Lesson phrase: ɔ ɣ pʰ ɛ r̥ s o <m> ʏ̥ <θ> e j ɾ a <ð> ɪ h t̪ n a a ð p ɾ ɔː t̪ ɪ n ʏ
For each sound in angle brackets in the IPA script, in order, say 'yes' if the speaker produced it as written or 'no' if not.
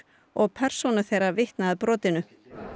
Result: no, yes, no

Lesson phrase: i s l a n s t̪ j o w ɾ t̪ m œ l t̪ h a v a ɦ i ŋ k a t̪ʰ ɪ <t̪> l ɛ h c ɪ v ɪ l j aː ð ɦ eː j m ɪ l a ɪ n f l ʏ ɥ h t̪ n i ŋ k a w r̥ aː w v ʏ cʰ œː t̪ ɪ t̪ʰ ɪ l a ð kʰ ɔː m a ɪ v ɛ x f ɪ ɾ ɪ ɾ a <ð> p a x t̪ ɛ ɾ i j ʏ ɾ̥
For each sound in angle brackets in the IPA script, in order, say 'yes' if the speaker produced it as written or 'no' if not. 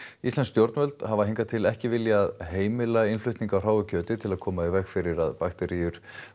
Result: no, yes

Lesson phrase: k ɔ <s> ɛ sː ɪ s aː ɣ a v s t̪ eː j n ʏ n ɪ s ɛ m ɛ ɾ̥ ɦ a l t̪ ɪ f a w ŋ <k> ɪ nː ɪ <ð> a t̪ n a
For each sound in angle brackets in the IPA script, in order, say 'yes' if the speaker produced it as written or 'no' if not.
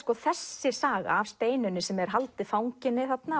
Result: no, no, no

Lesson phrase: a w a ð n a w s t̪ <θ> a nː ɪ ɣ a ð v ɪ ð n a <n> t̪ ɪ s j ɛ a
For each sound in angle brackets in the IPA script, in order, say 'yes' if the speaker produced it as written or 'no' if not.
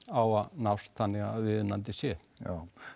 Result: yes, yes

